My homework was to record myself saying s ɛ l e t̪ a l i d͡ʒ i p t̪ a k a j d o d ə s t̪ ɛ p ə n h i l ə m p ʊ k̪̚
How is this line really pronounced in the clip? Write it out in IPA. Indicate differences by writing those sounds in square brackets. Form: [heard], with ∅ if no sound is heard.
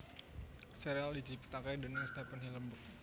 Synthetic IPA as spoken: s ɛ [ɾ] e [∅] a l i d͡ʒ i p t̪ a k a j d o [n] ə s t̪ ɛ p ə n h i l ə m [b] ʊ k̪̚